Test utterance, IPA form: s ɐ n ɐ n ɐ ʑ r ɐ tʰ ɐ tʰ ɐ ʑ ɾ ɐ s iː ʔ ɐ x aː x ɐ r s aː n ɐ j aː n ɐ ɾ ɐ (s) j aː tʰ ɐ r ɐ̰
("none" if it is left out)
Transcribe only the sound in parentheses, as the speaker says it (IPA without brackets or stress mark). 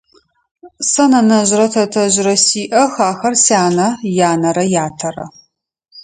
none